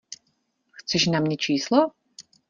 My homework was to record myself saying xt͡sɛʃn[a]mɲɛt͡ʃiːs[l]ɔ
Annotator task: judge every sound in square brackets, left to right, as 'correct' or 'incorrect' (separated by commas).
correct, correct